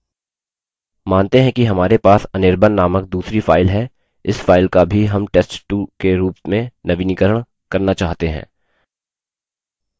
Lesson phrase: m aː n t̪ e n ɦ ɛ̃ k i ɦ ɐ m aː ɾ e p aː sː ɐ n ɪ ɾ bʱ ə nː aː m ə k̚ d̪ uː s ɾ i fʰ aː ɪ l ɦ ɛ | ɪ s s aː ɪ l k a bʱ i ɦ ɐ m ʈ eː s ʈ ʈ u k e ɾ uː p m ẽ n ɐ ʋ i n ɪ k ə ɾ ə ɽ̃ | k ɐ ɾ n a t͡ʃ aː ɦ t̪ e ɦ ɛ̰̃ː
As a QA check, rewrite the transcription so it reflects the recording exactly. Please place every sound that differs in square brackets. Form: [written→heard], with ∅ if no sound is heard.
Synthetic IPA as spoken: m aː n t̪ e [n→∅] ɦ ɛ̃ k i ɦ ɐ m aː ɾ e p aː [sː→s] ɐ n ɪ ɾ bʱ ə nː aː m ə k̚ d̪ uː s ɾ i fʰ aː ɪ l ɦ ɛ | ɪ s [s→f] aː ɪ l k a bʱ i ɦ ɐ m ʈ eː s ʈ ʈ u k e ɾ uː p m ẽ n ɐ ʋ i n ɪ k ə ɾ ə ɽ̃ | k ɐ ɾ n a t͡ʃ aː ɦ t̪ e ɦ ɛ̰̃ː